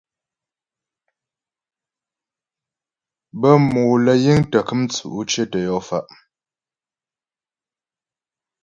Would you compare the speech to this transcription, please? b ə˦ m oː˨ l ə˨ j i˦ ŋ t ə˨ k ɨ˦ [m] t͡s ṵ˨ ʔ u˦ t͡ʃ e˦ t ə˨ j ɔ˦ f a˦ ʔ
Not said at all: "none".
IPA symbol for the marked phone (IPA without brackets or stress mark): m